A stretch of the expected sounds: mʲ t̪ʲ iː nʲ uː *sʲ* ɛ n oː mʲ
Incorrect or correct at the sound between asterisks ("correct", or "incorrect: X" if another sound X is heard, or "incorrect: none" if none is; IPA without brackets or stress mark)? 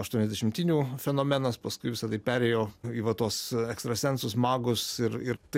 incorrect: fʲ